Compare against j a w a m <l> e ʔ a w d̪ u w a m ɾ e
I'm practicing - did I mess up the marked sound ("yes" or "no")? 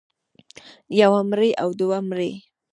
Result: yes